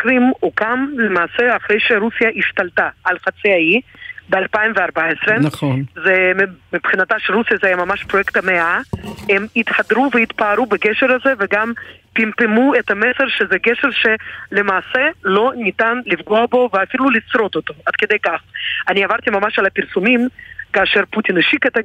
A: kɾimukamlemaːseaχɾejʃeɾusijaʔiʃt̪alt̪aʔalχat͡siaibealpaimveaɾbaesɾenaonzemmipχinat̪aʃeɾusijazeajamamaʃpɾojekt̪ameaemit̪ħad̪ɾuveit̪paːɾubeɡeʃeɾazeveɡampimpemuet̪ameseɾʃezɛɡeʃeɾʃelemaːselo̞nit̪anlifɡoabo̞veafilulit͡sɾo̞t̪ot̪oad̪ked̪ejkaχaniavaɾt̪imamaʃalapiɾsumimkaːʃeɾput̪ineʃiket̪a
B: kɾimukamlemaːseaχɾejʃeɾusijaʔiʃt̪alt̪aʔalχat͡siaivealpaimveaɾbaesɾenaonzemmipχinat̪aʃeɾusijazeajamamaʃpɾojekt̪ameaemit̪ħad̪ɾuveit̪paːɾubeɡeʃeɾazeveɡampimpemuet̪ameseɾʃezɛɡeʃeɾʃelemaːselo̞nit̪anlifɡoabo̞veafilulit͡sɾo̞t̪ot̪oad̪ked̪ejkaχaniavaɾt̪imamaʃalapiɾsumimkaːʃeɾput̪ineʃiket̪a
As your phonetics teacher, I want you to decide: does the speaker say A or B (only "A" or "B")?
A